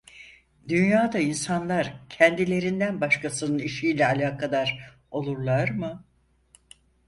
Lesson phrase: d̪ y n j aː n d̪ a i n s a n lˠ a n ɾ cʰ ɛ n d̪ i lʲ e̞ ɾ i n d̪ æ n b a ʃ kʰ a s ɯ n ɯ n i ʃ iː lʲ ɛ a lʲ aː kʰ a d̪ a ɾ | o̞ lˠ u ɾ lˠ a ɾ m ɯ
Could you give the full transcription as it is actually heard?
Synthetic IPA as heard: d̪ y n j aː d̪ a i n s a n lˠ a ɾ cʰ ɛ n d̪ i lʲ e̞ ɾ i n d̪ æ n b a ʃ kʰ a s ɯ n ɯ n i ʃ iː lʲ ɛ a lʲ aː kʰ a d̪ a ɾ | o̞ lˠ u ɾ lˠ a ɾ m ɯ